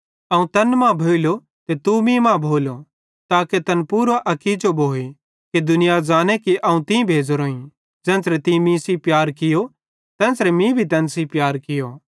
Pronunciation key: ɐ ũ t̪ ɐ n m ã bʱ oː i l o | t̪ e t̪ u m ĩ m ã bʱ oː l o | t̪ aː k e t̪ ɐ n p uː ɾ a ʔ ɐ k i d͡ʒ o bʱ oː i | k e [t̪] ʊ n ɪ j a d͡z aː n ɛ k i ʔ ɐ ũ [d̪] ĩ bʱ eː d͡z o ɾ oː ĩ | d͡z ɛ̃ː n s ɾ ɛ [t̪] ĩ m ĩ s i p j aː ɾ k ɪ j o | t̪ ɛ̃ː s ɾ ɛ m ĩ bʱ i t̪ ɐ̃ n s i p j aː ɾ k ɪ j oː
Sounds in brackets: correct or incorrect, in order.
incorrect: d̪, incorrect: t̪, correct

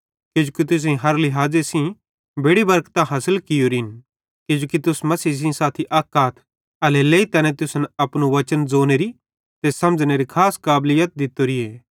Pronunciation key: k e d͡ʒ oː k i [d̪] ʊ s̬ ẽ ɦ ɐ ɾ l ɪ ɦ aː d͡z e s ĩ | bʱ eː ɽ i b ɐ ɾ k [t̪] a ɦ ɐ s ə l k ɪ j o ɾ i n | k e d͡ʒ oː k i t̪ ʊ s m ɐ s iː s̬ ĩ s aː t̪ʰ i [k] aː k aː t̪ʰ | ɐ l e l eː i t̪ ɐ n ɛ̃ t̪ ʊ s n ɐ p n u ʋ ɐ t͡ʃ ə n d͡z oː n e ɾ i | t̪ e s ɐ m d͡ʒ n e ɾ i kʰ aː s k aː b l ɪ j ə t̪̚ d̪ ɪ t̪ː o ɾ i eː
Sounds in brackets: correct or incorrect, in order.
incorrect: t̪, correct, incorrect: ʔ

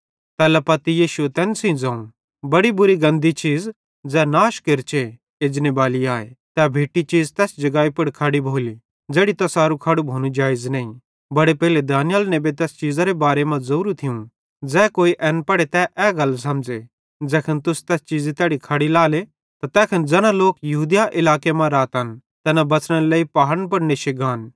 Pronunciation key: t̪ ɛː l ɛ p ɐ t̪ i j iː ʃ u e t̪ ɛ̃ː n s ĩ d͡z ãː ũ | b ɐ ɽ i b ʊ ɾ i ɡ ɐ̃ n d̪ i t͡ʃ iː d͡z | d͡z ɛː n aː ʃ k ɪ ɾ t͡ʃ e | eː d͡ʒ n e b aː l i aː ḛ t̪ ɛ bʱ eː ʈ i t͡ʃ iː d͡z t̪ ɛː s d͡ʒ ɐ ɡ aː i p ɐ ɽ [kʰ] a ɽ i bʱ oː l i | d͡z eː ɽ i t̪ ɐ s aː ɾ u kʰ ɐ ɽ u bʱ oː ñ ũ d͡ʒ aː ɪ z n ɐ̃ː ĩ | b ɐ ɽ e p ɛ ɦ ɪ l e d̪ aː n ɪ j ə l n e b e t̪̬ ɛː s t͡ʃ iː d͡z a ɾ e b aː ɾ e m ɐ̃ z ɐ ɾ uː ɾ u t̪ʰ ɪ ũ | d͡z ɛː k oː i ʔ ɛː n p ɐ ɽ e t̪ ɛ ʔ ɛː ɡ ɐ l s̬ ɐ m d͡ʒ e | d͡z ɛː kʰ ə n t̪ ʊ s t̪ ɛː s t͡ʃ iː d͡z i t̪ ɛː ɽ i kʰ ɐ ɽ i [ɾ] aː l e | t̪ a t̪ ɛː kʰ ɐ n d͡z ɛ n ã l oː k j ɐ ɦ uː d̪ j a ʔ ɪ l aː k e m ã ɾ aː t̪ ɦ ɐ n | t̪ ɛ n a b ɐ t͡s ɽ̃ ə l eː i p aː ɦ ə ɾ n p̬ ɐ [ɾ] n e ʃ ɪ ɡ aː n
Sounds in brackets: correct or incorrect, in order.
correct, incorrect: l, incorrect: ɽ

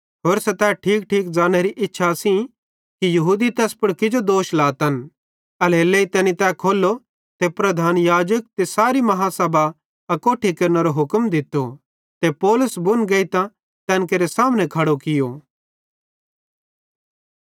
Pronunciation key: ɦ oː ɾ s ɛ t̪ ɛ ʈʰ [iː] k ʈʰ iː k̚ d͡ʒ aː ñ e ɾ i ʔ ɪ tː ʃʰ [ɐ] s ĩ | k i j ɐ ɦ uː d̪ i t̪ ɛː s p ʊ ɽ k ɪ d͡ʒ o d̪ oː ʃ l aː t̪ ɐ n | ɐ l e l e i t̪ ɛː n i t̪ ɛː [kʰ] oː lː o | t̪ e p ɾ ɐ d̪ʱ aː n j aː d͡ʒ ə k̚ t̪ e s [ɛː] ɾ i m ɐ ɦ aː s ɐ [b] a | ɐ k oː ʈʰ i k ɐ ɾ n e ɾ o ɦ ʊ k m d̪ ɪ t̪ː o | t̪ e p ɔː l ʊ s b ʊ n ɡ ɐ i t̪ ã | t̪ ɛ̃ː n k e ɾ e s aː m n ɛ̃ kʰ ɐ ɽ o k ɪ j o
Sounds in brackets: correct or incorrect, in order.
correct, incorrect: a, correct, incorrect: aː, correct

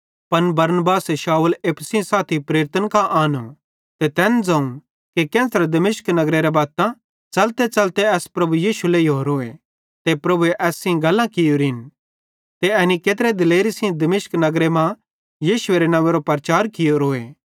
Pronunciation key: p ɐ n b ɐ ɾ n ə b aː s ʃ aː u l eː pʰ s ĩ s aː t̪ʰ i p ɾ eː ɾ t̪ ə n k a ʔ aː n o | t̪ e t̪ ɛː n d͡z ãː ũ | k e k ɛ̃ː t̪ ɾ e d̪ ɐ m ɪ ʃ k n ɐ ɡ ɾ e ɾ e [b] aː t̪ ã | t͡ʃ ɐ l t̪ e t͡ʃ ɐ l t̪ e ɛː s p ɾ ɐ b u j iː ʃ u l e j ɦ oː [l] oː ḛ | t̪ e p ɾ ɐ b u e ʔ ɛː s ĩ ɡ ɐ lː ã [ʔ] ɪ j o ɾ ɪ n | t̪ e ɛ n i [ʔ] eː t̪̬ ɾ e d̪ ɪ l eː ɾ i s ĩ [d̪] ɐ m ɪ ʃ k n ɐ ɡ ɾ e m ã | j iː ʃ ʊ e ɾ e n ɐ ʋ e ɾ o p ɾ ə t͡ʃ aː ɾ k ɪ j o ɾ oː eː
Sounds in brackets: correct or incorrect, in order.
correct, incorrect: ɾ, incorrect: k, incorrect: k, correct

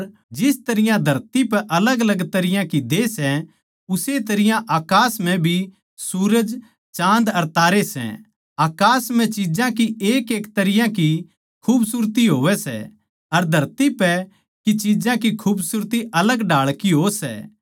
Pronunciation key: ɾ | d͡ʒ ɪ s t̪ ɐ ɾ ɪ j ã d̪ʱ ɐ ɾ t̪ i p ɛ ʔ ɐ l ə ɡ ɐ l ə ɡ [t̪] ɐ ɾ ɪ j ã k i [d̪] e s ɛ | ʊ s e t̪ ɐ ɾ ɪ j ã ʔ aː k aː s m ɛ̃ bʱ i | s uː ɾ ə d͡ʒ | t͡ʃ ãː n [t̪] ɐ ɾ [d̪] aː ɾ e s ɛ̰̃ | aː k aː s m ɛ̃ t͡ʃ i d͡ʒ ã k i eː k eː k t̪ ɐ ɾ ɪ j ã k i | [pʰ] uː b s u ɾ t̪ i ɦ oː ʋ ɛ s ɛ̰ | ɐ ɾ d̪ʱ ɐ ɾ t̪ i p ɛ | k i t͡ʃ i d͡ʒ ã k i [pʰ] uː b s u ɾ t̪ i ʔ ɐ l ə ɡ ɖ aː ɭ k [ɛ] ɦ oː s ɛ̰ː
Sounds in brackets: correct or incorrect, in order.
correct, correct, incorrect: d̪, incorrect: t̪, incorrect: kʰ, incorrect: kʰ, incorrect: i

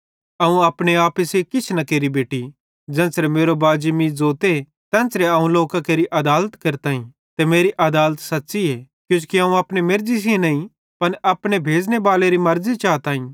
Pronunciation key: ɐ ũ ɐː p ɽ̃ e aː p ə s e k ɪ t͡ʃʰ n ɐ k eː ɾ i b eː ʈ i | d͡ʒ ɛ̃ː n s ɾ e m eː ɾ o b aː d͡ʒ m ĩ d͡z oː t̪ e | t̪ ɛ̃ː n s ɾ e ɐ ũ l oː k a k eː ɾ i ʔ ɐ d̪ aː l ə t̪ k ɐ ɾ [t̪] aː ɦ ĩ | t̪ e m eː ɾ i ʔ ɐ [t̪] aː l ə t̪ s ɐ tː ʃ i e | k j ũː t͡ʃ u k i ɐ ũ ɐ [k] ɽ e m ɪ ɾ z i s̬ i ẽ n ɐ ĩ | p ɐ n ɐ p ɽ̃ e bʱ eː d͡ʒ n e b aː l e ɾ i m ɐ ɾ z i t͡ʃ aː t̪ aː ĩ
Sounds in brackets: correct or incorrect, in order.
correct, incorrect: d̪, incorrect: p

